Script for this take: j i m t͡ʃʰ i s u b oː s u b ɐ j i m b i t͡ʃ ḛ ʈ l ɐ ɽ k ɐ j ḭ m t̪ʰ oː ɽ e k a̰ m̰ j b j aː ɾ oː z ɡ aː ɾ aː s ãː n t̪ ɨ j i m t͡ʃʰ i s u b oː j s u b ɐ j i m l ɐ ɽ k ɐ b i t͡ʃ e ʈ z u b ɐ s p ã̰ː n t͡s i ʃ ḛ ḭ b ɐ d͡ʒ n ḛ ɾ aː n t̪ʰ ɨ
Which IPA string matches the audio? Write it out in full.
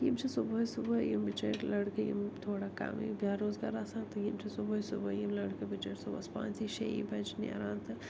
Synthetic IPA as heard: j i m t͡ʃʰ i s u b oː s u b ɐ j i m b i t͡ʃ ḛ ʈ l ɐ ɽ k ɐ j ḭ m t̪ʰ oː ɽ a k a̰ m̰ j b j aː ɾ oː z ɡ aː ɾ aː s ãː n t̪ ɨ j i m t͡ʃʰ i s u b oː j s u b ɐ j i m l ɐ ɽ k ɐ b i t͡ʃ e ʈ s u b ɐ s p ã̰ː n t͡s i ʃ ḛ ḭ b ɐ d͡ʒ n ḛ ɾ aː n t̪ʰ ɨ